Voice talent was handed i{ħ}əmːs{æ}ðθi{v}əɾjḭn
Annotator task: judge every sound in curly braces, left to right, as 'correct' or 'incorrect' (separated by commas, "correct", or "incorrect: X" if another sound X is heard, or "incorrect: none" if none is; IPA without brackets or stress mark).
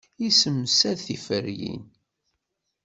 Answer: incorrect: s, correct, incorrect: f